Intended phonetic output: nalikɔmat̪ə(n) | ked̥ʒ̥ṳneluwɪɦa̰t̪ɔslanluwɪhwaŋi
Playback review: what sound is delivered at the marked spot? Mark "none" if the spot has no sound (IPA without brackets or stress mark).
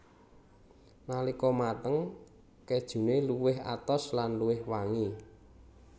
ŋ